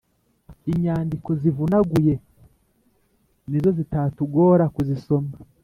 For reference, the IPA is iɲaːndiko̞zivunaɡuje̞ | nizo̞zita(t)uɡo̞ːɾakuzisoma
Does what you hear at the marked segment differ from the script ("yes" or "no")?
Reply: no